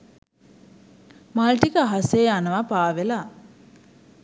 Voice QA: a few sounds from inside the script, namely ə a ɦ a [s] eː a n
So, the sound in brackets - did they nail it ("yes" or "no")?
yes